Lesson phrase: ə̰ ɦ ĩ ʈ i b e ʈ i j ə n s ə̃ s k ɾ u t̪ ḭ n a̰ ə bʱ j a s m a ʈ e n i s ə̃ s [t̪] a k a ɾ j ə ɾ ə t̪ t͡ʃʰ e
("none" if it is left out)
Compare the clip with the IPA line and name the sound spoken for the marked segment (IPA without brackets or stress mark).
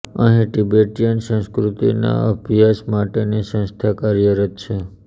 t̪ʰ